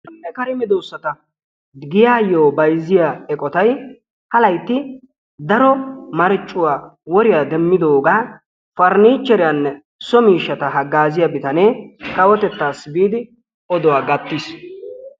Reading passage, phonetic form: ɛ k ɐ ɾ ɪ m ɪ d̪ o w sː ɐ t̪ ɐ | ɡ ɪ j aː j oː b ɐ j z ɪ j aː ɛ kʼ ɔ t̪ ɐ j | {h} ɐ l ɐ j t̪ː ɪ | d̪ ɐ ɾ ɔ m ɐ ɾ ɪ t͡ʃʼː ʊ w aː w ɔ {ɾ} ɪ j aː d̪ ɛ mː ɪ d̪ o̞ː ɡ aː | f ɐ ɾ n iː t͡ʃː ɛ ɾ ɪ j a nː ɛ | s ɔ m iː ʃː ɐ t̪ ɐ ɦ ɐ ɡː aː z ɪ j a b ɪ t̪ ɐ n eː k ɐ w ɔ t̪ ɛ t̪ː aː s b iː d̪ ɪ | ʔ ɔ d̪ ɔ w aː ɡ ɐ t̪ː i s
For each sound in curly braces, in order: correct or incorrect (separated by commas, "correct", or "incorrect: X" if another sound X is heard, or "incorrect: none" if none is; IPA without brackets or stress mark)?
correct, correct